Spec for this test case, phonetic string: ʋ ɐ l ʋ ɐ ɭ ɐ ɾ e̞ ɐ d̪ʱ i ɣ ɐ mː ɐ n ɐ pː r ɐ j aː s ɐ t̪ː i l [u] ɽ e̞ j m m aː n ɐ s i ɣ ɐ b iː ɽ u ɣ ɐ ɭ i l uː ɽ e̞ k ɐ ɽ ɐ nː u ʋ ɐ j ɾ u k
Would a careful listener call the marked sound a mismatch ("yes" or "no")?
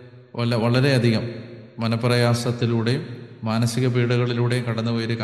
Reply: yes